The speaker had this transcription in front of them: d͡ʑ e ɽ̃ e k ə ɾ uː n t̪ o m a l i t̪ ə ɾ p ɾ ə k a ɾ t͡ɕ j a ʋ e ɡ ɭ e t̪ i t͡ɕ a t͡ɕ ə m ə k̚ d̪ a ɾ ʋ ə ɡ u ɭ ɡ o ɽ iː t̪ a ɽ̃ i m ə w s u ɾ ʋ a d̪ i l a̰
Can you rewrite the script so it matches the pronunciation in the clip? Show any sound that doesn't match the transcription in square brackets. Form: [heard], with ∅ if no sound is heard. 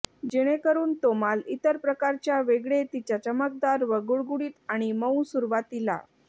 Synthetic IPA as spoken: d͡ʑ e ɽ̃ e k ə ɾ uː n t̪ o m a l i t̪ ə ɾ p ɾ ə k a ɾ t͡ɕ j a ʋ e ɡ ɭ e t̪ i t͡ɕ a t͡ɕ ə m ə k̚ d̪ a ɾ ʋ ə ɡ u ɭ ɡ [u] ɽ iː t̪ a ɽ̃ i m ə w s u ɾ ʋ a [t̪] i l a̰